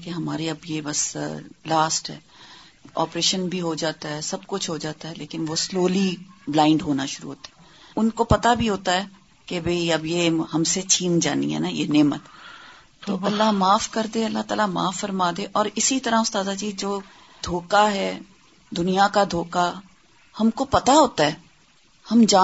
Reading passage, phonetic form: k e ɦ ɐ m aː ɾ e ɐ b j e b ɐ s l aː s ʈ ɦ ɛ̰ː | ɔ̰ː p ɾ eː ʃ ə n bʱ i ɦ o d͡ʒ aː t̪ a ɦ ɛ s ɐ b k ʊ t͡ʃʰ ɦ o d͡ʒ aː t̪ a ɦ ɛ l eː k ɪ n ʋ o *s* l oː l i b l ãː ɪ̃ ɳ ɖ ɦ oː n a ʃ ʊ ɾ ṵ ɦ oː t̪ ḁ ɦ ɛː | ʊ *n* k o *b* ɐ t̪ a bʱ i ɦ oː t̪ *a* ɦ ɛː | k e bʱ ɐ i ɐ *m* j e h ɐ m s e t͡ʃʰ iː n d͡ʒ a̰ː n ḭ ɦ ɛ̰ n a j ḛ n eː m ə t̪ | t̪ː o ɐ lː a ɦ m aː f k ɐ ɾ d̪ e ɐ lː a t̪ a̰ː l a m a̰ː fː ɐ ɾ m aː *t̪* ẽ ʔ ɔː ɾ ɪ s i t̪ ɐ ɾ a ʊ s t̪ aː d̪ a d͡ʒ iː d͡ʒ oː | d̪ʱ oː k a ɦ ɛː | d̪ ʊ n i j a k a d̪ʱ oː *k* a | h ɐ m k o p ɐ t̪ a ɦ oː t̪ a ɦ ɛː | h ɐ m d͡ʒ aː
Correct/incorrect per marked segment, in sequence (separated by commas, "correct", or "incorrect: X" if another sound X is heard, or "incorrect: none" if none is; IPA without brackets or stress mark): correct, correct, incorrect: p, correct, incorrect: b, incorrect: d̪, correct